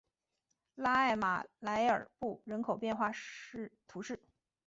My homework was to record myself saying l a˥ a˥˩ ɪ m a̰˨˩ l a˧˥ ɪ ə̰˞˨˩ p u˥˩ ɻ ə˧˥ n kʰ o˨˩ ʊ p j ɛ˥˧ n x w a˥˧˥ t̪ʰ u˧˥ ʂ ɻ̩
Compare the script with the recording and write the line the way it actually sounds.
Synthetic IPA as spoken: l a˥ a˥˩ ɪ m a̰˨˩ l a˧˥ ɪ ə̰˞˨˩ p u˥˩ ɻ ə˧˥ n kʰ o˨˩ ʊ p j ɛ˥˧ n x w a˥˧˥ t̪ʰ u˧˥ ʂ ɻ̩